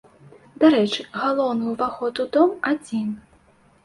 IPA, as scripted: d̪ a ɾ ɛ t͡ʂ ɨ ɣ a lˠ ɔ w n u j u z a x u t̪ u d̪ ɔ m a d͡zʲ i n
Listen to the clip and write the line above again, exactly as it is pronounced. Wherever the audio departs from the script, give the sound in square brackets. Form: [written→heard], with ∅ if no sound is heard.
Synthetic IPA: d̪ a ɾ ɛ t͡ʂ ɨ ɣ a lˠ ɔ w n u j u [z→v] a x [u→ɔ] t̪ u d̪ ɔ m a d͡zʲ i n